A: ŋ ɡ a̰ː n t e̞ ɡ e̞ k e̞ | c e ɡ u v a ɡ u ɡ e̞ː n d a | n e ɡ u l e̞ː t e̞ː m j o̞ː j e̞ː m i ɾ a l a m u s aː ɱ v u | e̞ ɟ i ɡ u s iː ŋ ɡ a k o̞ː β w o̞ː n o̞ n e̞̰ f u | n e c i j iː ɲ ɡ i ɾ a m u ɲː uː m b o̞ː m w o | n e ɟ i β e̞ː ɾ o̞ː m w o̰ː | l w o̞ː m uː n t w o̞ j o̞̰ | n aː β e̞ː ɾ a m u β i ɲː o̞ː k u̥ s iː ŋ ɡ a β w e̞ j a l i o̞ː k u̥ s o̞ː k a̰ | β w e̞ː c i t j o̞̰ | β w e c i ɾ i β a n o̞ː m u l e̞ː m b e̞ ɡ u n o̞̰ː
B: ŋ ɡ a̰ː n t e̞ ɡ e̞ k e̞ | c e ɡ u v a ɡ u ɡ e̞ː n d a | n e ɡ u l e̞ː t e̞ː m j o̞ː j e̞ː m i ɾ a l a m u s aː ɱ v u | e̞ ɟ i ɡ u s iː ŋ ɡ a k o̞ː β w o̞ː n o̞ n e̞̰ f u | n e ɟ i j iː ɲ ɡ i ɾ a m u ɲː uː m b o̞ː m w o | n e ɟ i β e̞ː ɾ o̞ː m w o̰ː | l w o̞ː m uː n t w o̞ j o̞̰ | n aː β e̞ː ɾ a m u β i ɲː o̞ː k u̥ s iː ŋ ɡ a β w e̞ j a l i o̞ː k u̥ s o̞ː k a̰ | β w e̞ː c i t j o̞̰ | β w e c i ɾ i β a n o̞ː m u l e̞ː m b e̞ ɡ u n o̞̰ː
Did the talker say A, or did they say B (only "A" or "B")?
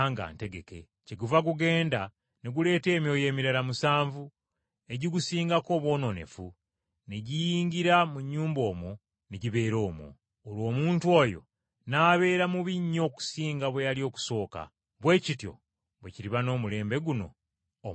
B